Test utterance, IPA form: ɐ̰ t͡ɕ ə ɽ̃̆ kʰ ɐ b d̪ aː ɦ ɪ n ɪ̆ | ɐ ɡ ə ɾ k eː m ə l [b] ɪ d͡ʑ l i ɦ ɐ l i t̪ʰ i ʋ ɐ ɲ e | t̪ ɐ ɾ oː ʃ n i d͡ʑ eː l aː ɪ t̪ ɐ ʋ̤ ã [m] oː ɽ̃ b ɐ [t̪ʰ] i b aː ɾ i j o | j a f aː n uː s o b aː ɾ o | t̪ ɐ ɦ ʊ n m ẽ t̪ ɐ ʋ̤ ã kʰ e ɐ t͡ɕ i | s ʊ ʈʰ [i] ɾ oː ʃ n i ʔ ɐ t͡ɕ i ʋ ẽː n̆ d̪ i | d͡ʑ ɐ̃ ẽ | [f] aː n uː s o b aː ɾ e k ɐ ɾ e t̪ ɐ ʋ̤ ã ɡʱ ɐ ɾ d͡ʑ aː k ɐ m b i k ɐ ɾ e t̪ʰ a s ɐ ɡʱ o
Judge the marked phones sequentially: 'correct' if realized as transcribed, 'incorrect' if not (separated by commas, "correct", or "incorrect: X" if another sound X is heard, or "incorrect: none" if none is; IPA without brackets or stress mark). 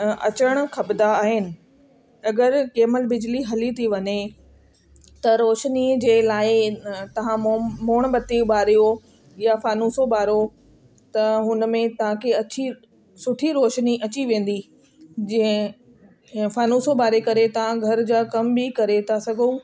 correct, correct, incorrect: t̪, correct, correct